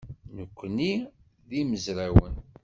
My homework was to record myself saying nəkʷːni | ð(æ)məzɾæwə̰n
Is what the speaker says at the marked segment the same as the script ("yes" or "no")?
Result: no